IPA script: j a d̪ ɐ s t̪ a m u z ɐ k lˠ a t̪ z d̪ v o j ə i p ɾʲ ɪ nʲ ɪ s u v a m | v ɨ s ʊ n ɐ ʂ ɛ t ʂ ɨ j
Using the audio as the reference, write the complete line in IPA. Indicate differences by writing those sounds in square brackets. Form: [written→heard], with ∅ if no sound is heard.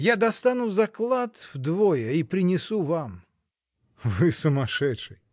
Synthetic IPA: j a d̪ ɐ s t̪ a [m→n] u z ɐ k lˠ a t̪ [z→v] d̪ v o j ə i p ɾʲ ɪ nʲ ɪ s u v a m | v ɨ s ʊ [n→m] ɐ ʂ ɛ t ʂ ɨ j